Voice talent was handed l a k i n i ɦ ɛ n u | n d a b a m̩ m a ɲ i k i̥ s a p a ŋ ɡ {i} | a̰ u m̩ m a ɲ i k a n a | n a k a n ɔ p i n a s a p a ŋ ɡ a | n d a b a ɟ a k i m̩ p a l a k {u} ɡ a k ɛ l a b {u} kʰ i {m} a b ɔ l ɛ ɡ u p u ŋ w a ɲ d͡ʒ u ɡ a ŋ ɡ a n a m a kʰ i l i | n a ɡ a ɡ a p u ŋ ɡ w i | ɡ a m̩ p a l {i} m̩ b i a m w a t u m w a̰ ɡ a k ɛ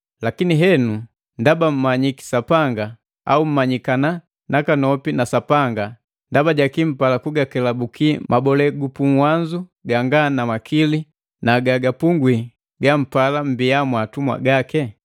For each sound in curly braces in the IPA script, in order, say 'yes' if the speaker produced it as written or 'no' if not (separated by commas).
no, yes, yes, yes, no